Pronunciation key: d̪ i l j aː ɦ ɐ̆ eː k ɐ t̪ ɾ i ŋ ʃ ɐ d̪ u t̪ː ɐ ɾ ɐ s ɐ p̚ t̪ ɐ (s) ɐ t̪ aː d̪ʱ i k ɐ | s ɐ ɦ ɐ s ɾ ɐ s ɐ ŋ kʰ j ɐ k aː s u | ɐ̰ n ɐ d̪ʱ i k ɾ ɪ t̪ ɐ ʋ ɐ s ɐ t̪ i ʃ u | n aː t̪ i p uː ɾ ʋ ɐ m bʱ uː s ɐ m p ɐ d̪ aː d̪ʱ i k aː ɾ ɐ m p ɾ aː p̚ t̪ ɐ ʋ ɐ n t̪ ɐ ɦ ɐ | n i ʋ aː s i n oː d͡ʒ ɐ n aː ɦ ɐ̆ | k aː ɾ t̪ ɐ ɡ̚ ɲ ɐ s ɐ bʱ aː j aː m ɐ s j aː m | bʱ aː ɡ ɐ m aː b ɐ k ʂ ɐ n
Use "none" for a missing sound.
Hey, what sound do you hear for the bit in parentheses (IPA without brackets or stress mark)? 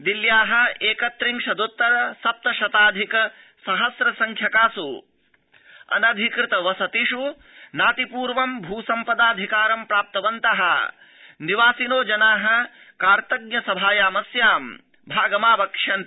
ʃ